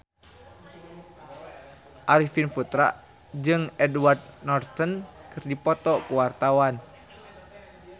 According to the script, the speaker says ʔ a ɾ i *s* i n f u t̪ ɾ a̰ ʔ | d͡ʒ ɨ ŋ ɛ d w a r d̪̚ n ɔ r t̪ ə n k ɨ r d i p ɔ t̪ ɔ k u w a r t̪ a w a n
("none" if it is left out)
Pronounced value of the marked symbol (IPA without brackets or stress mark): f